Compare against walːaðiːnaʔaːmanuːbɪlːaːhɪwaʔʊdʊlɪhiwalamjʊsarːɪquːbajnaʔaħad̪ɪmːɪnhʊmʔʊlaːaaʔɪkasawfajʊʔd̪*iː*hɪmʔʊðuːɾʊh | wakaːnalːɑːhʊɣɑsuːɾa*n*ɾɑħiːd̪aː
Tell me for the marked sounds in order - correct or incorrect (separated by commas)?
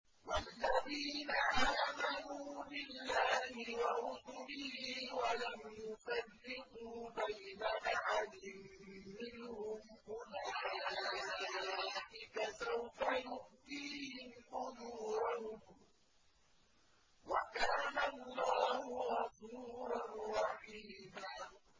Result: correct, correct